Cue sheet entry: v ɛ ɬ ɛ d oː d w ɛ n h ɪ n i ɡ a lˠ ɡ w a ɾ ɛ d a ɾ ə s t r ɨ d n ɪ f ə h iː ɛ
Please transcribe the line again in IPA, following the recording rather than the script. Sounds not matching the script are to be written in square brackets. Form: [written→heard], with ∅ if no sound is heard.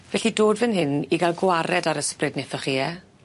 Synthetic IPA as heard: v ɛ ɬ [ɛ→i] d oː d [w→v] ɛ n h ɪ n i ɡ a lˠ ɡ w a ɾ ɛ d a ɾ ə s [t→p] r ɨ d n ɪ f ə [h→χ] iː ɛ